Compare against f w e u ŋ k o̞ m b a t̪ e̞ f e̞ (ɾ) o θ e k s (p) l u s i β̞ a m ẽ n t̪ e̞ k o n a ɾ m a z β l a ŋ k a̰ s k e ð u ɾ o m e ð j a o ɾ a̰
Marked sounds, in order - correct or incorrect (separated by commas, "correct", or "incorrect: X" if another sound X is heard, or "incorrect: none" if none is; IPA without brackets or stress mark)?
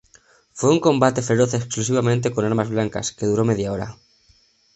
correct, incorrect: k